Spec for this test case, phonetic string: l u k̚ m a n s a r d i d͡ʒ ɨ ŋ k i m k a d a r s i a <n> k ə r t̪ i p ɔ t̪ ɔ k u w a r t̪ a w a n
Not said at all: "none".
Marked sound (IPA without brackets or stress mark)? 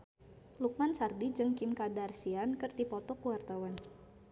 n